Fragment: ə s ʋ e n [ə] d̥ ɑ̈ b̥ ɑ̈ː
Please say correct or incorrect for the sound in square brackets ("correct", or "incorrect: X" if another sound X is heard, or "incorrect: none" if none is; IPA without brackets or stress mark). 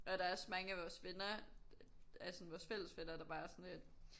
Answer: incorrect: ɐ